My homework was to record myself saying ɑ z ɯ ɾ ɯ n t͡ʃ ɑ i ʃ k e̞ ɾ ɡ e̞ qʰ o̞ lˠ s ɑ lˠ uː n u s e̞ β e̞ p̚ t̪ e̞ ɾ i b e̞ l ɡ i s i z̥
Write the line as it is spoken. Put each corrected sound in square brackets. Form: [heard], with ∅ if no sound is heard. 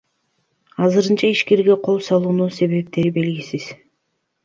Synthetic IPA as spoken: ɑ z ɯ ɾ ɯ n t͡ʃ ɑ i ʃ k e̞ ɾ ɡ e̞ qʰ o̞ lˠ s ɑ lˠ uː n u s e̞ β e̞ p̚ t̪ e̞ ɾ i b e̞ l ɡ i s i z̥